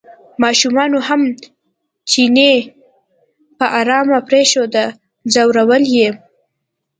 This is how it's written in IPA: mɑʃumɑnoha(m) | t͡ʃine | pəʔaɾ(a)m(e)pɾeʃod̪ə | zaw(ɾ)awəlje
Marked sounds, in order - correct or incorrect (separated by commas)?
correct, incorrect, incorrect, correct